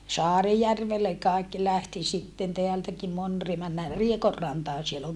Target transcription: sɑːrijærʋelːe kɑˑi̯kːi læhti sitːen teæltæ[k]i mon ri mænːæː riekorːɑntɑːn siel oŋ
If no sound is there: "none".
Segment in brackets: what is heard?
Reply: k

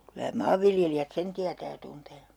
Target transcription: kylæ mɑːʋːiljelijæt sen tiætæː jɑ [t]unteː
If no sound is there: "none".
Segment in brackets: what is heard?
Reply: t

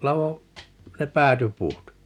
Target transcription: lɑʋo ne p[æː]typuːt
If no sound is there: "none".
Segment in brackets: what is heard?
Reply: æː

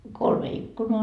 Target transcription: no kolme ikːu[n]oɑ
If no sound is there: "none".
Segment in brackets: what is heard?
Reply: n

